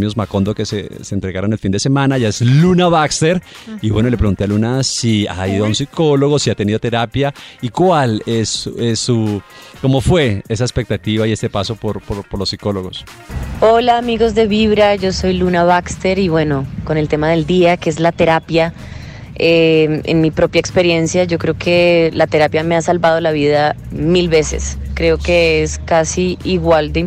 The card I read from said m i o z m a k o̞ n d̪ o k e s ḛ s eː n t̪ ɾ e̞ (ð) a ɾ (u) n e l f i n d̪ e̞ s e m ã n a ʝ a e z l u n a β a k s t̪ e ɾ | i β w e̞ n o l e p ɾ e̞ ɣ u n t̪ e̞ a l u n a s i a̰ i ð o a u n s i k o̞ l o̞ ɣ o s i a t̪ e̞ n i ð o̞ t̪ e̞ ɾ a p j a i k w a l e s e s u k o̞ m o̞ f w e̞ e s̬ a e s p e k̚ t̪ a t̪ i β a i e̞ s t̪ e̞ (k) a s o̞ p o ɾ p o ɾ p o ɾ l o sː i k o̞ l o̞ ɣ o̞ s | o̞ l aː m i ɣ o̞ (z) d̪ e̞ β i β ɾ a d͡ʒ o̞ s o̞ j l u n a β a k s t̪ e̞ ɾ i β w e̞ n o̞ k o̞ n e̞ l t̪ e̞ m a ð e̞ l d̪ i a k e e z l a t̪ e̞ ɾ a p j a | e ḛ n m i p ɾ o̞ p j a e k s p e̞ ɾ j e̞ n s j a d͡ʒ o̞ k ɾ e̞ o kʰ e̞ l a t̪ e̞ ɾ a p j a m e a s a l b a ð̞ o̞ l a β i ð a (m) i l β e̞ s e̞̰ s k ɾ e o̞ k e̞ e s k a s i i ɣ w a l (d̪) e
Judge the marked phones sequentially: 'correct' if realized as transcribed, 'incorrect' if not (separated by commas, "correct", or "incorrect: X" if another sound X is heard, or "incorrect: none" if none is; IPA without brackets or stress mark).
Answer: incorrect: ɣ, incorrect: o, incorrect: p, correct, correct, correct